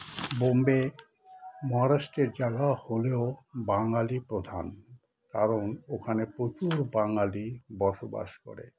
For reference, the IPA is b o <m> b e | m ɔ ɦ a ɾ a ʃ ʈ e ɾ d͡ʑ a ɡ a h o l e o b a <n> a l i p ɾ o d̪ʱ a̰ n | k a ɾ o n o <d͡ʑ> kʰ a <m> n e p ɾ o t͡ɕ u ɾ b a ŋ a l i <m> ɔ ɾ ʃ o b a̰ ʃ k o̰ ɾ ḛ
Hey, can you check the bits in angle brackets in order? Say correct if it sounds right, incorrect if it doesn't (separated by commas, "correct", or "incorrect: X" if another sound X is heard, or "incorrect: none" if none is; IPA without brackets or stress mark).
correct, incorrect: ŋ, incorrect: none, incorrect: none, incorrect: b